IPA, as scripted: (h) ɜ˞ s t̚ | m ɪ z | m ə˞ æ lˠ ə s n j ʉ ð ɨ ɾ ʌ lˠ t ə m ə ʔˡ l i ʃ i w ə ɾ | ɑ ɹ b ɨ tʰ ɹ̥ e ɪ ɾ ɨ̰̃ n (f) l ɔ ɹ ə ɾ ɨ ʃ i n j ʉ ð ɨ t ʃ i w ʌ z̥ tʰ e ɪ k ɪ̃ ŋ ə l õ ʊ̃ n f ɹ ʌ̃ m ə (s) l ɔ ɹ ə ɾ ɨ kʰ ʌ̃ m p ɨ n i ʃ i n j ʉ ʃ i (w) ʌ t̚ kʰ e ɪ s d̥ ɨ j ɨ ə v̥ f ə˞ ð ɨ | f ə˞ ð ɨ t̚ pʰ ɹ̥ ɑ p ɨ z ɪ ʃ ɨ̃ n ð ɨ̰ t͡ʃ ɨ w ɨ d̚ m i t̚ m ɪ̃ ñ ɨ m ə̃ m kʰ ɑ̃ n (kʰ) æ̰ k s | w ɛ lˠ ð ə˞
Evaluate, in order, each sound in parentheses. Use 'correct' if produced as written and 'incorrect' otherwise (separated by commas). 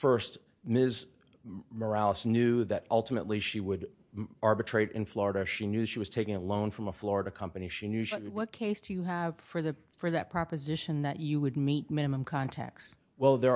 incorrect, correct, incorrect, correct, incorrect